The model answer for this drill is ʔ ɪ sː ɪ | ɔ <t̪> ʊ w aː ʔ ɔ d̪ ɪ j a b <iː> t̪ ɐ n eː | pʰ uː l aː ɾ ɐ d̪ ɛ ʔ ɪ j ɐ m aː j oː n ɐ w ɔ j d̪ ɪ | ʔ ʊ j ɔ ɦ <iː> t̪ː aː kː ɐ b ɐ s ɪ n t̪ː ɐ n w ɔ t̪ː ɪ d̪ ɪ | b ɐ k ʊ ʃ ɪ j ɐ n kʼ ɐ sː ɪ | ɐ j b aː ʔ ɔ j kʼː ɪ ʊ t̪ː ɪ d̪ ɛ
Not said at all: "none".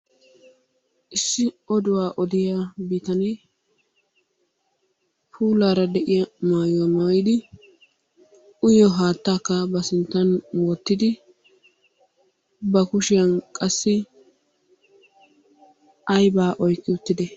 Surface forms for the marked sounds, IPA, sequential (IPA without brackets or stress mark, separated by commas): d̪, iː, aː